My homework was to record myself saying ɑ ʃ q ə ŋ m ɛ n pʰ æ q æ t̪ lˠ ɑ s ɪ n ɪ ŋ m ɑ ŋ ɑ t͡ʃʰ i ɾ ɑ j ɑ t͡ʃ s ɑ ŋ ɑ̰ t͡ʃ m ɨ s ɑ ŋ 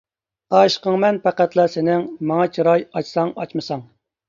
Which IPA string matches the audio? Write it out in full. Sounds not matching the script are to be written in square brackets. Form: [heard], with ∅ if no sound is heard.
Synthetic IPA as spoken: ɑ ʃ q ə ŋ m ɛ n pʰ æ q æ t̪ lˠ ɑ s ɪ n ɪ ŋ m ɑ ŋ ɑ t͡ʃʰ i ɾ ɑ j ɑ t͡ʃ s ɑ ŋ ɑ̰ t͡ʃ m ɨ s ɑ ŋ